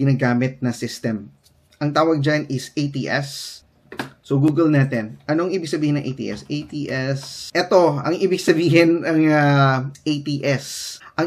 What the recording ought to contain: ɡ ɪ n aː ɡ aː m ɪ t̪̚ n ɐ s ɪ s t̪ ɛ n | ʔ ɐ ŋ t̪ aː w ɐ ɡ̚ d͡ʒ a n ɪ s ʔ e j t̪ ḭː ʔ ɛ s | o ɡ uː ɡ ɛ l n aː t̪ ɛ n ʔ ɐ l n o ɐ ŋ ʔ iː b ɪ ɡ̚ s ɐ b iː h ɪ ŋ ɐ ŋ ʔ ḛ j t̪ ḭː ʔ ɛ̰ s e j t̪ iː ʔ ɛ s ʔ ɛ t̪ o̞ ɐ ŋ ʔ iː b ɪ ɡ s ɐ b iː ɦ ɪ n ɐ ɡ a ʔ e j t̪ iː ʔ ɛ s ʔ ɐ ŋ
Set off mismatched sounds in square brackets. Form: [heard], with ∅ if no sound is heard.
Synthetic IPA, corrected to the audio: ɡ ɪ n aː ɡ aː m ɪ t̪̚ n ɐ s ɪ s t̪ ɛ [m] | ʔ ɐ ŋ t̪ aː w ɐ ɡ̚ d͡ʒ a n ɪ s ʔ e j t̪ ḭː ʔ ɛ s | o ɡ uː ɡ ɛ l n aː t̪ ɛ n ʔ ɐ [∅] n o ɐ ŋ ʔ iː b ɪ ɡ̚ s ɐ b iː h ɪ [n] ɐ ŋ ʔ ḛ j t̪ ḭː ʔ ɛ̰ s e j t̪ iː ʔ ɛ s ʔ ɛ t̪ o̞ ɐ ŋ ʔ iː b ɪ ɡ s ɐ b iː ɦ ɪ n ɐ [ŋ] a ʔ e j t̪ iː ʔ ɛ s ʔ ɐ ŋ